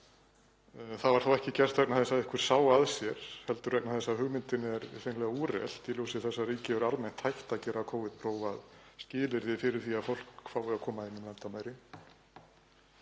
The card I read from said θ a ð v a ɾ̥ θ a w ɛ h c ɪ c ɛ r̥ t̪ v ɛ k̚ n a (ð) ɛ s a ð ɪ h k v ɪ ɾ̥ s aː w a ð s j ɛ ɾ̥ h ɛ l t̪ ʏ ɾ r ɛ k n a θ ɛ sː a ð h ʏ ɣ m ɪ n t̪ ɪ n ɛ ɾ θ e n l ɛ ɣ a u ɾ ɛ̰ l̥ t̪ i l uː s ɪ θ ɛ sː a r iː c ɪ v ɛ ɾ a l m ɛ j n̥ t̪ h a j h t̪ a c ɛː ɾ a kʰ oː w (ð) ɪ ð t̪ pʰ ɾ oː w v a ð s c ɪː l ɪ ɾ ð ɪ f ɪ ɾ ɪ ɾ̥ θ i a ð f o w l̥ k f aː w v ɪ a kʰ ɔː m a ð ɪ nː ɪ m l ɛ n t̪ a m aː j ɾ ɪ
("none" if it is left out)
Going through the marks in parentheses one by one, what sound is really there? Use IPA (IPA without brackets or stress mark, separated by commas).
θ, v